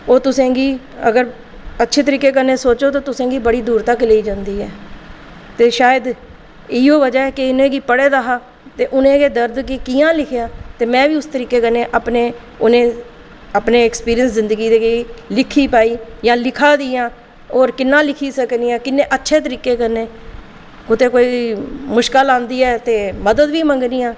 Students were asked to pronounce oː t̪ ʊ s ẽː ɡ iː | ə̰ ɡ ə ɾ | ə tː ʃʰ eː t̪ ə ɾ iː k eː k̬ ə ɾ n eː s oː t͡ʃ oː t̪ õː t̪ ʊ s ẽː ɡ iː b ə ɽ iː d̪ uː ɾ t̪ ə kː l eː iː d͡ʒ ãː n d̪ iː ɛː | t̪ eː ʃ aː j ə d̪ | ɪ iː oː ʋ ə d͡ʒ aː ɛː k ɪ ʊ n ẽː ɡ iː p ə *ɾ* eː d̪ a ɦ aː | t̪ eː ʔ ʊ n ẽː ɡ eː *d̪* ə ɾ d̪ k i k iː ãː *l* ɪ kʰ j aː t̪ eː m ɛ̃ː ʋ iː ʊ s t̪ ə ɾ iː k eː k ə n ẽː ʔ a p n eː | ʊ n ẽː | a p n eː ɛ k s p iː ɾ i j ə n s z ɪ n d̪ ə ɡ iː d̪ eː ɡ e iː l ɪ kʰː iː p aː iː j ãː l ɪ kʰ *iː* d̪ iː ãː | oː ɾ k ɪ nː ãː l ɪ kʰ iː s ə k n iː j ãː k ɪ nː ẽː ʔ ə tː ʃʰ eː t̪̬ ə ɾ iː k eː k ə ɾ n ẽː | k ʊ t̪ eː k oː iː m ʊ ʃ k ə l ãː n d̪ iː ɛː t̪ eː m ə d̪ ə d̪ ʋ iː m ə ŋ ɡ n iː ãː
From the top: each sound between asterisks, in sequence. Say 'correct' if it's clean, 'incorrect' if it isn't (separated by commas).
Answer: incorrect, correct, correct, incorrect